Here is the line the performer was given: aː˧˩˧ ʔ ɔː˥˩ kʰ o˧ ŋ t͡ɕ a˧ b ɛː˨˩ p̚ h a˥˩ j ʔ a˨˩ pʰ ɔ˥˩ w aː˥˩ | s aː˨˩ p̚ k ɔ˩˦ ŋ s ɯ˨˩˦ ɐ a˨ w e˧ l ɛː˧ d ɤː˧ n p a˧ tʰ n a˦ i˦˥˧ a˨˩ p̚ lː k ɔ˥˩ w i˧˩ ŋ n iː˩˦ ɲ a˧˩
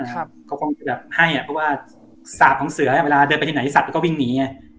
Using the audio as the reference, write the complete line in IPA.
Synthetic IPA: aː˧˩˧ k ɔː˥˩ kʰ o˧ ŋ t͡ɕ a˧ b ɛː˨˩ p̚ h a˥˩ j ʔ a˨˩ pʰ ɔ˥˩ w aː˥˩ | s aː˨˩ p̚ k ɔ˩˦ ŋ s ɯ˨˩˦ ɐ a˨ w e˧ l aː˧ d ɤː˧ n p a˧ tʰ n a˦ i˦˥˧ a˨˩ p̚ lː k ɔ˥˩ w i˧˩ ŋ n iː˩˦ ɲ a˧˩